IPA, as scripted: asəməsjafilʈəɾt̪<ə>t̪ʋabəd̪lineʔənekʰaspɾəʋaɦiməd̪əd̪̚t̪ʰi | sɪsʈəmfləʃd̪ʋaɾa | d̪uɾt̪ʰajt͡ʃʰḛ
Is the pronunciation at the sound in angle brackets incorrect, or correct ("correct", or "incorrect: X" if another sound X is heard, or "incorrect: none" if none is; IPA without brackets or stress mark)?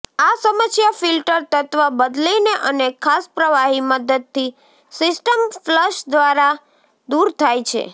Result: correct